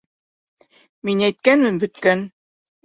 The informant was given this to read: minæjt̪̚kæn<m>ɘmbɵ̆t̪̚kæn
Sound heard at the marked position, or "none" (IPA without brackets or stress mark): m